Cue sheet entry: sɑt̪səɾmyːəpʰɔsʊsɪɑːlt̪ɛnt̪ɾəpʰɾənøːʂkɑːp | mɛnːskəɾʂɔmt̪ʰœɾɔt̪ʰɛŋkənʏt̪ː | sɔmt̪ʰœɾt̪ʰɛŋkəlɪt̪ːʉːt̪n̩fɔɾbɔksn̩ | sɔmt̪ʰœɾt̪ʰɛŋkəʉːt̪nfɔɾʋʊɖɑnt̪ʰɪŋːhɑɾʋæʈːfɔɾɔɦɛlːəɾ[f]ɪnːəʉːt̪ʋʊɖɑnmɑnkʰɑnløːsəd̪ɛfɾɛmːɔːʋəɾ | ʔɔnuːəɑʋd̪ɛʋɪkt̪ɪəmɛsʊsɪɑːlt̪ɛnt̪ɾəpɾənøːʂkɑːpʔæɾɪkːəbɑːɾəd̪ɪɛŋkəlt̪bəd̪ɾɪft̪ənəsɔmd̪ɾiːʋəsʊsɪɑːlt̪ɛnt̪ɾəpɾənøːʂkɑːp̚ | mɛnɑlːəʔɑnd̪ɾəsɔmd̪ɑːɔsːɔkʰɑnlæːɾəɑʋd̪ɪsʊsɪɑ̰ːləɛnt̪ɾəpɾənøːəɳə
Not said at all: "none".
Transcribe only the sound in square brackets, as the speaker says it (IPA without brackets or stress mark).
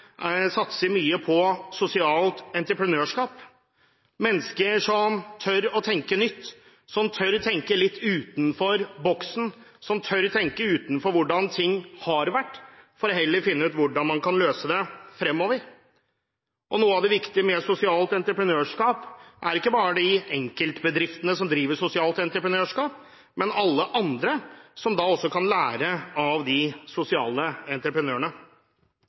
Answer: f